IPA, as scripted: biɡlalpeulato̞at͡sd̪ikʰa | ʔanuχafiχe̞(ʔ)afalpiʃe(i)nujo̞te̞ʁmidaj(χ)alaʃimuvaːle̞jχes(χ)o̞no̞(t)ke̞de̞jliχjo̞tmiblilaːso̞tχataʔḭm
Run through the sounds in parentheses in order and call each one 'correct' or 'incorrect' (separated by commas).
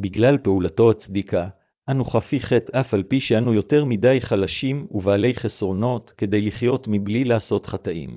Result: incorrect, incorrect, correct, incorrect, correct